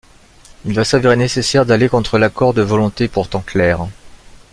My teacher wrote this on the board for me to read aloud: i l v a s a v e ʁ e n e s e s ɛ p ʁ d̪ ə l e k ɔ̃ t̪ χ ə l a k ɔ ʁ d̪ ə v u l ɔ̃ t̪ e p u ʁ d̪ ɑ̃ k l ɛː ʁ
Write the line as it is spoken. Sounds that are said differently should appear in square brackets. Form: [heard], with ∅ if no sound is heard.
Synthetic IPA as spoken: i l v a s a v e ʁ e n e s e s ɛ [∅] ʁ d̪ [a] l e k ɔ̃ t̪ χ ə l a k ɔ ʁ d̪ ə v [ɔ] l ɔ̃ t̪ e p u ʁ [t̪] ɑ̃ k l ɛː ʁ